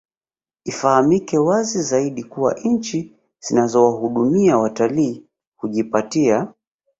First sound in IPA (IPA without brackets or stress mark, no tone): i